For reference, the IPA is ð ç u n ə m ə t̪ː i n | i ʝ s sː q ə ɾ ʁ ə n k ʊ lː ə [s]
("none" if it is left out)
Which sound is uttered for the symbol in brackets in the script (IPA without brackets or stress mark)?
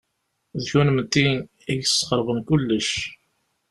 ʃ